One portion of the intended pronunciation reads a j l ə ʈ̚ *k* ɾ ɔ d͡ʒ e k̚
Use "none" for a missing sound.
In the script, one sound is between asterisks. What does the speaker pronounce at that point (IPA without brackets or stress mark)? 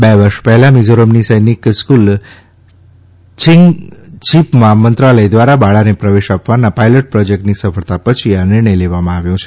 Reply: p